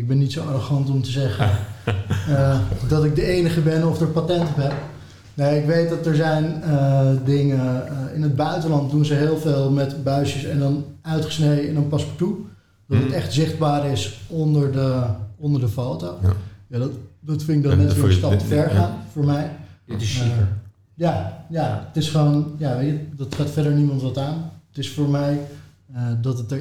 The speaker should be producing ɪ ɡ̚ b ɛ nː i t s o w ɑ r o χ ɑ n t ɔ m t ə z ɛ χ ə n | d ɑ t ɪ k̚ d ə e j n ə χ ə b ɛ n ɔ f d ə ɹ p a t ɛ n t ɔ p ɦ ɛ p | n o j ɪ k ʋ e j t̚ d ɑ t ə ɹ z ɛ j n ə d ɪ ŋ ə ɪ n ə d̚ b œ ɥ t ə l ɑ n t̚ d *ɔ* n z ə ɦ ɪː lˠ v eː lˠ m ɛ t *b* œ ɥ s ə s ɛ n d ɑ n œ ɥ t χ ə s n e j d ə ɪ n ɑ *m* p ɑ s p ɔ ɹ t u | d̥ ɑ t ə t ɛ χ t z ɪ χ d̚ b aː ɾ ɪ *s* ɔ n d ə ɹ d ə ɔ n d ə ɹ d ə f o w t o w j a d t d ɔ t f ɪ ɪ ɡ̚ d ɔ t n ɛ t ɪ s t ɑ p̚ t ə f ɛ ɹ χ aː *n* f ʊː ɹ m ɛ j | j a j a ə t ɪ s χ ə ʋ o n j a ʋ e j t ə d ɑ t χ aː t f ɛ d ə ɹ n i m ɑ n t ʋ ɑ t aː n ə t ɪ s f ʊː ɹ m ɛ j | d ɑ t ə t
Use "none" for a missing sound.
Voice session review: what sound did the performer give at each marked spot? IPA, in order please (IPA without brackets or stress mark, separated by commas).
u, b, n, s, n